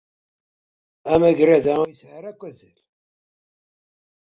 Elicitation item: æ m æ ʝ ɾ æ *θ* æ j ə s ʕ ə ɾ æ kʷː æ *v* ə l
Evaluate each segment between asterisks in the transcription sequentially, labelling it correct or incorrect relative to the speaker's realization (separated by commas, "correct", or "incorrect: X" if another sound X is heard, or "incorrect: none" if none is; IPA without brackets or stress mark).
incorrect: ð, incorrect: z